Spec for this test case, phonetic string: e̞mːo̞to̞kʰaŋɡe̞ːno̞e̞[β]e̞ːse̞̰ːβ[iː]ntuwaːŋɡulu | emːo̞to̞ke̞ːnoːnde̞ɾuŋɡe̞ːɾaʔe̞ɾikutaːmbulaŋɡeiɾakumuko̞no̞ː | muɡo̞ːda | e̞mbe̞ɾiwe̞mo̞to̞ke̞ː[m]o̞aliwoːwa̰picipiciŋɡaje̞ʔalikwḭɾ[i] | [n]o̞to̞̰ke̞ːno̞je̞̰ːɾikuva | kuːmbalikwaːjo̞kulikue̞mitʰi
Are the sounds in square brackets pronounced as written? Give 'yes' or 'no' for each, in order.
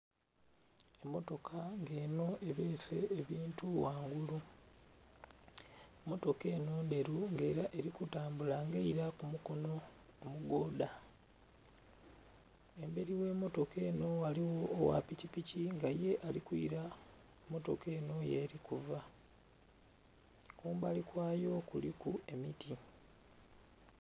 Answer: yes, yes, no, no, no

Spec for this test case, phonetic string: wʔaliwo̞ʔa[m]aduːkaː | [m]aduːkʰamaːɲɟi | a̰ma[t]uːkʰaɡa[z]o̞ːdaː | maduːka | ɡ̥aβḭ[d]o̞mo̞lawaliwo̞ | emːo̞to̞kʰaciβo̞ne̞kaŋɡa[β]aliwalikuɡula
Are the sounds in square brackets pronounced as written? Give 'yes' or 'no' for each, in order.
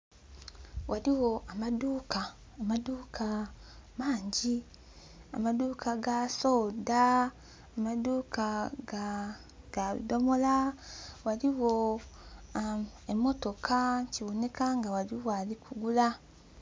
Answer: yes, yes, no, no, yes, no

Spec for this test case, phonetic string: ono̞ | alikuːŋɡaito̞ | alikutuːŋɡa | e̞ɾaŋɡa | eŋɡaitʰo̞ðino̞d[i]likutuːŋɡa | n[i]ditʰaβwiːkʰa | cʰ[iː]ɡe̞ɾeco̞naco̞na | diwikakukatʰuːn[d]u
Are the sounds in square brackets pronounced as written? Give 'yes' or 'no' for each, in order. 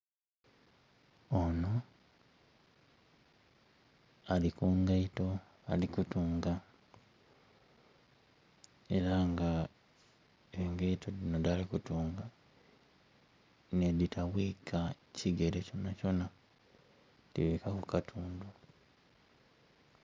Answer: no, no, no, yes

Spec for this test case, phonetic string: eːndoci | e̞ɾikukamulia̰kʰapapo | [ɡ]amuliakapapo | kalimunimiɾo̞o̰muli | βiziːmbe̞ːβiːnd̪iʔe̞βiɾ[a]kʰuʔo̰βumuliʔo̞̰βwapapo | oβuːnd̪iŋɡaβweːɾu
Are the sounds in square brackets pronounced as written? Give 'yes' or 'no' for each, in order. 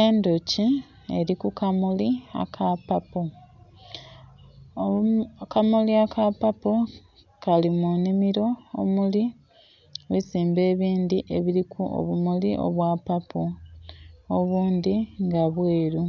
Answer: no, no

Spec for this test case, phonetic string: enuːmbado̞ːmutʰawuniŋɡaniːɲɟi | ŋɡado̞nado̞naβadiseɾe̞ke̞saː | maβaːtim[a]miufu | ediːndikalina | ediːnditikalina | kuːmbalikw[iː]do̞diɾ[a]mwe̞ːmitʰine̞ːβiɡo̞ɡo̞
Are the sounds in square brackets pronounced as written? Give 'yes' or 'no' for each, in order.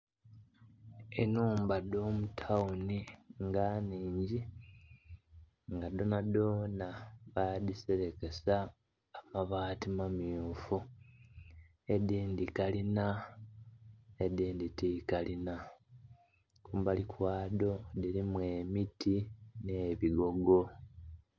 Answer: yes, no, no

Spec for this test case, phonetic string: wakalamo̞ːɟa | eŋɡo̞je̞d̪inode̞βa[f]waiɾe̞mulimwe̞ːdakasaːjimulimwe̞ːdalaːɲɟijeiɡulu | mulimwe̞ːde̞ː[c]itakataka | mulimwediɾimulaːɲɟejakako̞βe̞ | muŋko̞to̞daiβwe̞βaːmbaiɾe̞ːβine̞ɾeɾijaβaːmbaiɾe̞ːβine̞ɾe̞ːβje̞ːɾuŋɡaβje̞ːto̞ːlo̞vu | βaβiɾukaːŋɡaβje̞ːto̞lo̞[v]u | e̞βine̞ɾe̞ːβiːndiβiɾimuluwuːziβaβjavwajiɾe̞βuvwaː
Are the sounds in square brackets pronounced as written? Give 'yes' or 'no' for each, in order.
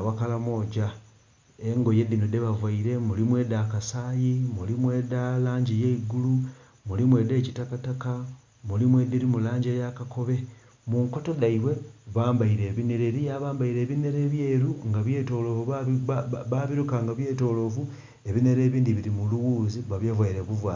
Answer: no, yes, yes

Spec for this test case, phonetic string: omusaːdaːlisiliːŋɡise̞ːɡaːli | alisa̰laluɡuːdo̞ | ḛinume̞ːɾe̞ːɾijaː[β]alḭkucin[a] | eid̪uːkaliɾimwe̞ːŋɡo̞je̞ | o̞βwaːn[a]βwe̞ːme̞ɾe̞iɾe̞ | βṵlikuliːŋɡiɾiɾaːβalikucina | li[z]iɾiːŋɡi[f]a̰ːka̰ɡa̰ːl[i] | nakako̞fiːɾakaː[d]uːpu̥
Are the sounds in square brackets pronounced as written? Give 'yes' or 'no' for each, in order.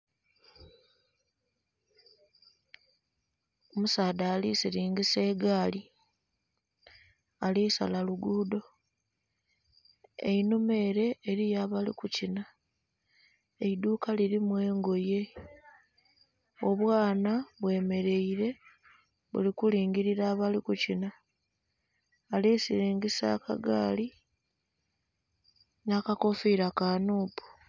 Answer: yes, yes, yes, no, no, yes, no

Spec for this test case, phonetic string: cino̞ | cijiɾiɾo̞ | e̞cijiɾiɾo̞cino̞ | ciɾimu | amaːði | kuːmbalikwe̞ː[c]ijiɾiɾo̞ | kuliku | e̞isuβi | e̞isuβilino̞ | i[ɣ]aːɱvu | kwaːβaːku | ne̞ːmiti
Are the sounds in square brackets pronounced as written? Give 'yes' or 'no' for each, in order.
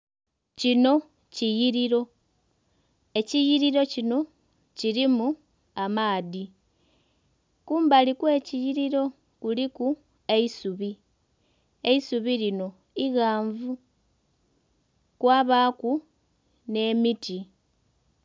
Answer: yes, yes

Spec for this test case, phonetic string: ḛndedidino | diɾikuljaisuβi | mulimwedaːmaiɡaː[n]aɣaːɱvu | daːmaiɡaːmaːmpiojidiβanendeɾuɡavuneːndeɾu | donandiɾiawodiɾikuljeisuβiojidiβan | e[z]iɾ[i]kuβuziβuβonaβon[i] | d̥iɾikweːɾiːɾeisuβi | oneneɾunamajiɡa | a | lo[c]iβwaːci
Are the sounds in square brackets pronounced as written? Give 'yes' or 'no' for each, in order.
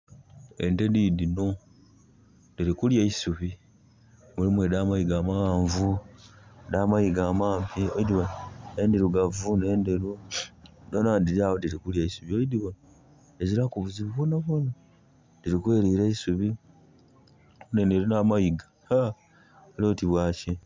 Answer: no, yes, no, no, no

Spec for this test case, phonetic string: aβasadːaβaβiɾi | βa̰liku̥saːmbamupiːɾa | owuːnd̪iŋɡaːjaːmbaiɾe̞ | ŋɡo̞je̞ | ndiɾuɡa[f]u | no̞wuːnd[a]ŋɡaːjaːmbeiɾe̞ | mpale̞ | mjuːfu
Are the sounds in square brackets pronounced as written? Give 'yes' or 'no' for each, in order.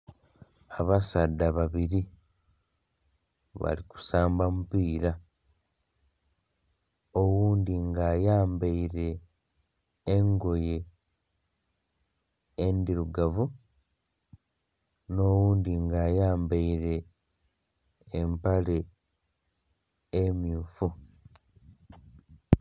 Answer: no, no

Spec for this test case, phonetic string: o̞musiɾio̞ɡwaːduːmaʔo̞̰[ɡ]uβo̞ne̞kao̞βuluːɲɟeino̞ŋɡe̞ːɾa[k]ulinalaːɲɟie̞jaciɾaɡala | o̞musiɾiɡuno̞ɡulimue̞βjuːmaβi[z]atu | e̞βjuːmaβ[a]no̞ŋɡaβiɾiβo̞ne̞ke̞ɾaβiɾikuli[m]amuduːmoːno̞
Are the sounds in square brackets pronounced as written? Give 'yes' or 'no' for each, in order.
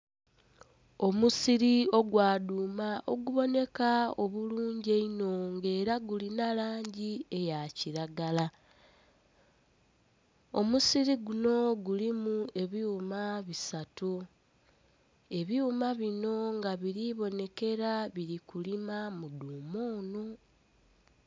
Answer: yes, no, no, no, yes

